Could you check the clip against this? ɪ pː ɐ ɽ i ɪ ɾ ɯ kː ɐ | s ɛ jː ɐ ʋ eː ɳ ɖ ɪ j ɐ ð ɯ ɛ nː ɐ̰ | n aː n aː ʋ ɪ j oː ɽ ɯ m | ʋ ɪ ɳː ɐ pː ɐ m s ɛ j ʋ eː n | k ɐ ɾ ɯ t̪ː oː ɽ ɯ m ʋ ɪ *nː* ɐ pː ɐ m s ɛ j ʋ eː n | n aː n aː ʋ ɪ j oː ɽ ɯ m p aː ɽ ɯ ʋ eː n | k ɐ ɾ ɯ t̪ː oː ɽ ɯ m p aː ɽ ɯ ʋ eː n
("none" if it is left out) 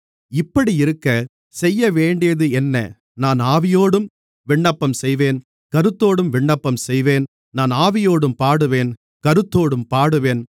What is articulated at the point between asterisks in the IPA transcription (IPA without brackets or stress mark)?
ɳː